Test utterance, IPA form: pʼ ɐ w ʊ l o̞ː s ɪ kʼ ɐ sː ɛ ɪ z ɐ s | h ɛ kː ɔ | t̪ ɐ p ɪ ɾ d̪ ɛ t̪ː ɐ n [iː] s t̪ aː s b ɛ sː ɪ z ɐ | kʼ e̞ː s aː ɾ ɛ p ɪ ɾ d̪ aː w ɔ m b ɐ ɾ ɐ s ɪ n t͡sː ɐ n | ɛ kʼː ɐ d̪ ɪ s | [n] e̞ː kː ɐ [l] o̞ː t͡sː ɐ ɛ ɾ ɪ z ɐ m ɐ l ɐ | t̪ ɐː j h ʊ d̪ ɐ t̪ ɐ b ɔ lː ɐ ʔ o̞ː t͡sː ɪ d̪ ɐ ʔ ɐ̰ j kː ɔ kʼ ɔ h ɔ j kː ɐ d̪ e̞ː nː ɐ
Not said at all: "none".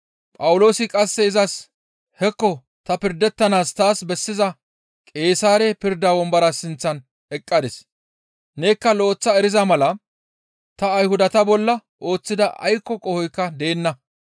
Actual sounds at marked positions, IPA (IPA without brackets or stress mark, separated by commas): aː, n, l